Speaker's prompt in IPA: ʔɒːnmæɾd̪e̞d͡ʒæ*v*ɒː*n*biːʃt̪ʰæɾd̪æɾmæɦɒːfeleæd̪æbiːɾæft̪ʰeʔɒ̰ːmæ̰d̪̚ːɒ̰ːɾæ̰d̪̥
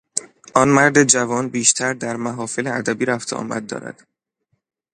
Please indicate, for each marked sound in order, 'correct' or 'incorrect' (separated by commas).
correct, correct